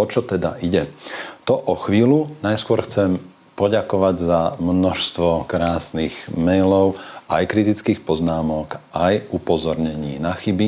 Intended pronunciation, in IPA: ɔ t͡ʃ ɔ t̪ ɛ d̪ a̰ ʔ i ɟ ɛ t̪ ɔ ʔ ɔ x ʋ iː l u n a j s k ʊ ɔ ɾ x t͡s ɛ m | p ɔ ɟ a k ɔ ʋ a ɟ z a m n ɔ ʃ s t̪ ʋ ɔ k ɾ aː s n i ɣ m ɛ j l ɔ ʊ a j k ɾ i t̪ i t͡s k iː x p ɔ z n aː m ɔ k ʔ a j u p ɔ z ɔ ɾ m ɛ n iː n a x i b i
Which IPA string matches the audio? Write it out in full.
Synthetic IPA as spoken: ɔ t͡ʃ ɔ t̪ ɛ d̪ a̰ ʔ i ɟ ɛ t̪ ɔ ʔ ɔ x ʋ iː l u n a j s k ʊ ɔ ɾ x t͡s ɛ m | p ɔ ɟ a k ɔ ʋ a ɟ z a m n ɔ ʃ s t̪ ʋ ɔ k ɾ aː s n i ɣ m ɛ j l ɔ ʊ a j k ɾ i t̪ i t͡s k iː x p ɔ z n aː m ɔ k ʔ a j u p ɔ z ɔ ɾ ɲ ɛ ɲ iː n a x i b i